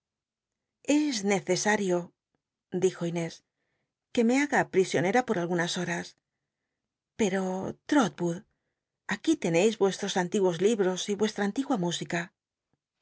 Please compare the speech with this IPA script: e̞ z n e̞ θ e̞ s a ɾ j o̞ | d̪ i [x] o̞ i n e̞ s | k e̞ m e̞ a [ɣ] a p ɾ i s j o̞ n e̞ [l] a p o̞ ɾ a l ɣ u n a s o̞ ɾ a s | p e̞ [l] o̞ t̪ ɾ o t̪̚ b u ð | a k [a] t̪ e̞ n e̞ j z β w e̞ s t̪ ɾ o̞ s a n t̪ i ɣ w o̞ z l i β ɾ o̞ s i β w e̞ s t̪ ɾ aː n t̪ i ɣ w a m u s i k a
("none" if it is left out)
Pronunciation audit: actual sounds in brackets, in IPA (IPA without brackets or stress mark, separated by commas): x, ɣ, ɾ, ɾ, i